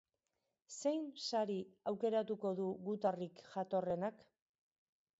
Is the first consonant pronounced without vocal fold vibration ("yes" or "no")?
yes